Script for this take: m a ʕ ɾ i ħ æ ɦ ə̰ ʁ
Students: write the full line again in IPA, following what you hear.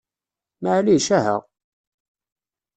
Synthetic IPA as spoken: m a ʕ l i ʃ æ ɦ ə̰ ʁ